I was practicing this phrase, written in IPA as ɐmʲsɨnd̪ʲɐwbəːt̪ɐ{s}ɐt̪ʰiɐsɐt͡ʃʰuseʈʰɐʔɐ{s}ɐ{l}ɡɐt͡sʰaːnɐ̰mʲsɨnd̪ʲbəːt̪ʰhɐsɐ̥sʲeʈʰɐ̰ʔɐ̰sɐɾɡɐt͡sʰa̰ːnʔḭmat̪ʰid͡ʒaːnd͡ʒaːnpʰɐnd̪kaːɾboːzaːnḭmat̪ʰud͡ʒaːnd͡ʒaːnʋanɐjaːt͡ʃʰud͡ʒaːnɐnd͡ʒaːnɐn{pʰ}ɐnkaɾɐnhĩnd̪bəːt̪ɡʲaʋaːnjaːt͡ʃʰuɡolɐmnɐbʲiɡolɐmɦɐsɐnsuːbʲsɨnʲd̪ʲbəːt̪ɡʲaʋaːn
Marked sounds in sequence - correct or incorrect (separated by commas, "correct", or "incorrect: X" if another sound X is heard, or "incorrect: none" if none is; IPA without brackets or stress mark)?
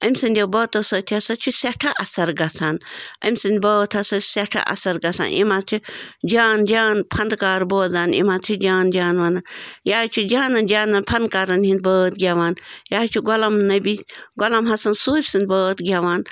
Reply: correct, correct, incorrect: ɾ, correct